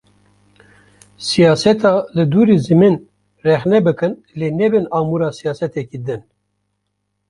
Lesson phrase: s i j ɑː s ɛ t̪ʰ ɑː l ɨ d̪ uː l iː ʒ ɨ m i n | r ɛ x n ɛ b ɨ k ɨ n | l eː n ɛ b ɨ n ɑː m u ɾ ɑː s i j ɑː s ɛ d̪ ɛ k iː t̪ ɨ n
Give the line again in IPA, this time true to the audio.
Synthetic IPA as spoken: s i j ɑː s ɛ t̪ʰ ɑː l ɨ d̪ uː ɾ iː z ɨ m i n | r ɛ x n ɛ b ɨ k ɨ n | l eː n ɛ b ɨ n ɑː m u ɾ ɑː s i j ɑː s ɛ t̪ ɛ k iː d̪ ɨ n